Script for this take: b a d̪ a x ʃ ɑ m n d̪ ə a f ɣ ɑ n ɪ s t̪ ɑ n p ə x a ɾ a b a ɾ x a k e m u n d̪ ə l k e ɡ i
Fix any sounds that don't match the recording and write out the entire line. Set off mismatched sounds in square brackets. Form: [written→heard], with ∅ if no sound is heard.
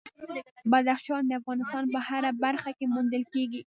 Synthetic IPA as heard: b a d̪ a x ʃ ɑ [m→∅] n d̪ ə a f ɣ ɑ n ɪ s t̪ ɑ n p ə [x→h] a ɾ a b a ɾ x a k e m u n d̪ ə l k e ɡ i